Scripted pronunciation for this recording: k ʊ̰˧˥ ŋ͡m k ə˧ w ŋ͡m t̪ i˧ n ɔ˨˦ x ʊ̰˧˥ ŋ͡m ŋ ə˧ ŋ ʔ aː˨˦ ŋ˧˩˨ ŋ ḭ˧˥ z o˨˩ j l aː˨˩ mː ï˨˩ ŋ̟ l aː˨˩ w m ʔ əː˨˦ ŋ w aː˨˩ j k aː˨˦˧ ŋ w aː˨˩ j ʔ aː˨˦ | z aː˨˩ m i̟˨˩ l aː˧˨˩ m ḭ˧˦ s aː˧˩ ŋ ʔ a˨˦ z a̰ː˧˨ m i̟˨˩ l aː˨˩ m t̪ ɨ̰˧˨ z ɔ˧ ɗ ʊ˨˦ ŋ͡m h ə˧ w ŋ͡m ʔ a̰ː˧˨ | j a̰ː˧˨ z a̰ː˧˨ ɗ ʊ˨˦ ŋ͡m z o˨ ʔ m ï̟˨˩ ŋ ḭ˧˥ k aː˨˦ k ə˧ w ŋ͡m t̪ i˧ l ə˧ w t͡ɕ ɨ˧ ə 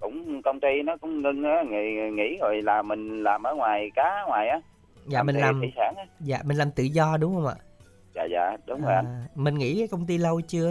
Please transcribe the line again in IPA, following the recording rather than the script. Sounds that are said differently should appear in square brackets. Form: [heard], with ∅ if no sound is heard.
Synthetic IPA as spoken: k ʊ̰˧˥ ŋ͡m k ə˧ w ŋ͡m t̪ i˧ n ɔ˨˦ [k] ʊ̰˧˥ ŋ͡m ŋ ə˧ ŋ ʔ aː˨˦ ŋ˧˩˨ ŋ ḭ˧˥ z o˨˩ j l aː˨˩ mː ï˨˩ ŋ̟ l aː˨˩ [∅] m ʔ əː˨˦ ŋ w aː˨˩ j k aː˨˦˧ ŋ w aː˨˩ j ʔ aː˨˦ | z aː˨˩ m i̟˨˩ l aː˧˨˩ m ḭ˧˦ s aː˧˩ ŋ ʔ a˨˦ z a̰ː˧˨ m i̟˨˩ l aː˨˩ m t̪ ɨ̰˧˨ z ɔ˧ ɗ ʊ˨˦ ŋ͡m h ə˧ w ŋ͡m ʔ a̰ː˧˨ | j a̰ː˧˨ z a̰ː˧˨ ɗ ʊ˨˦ ŋ͡m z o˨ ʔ m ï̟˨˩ ŋ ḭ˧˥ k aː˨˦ k ə˧ w ŋ͡m t̪ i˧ l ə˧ w t͡ɕ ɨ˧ ə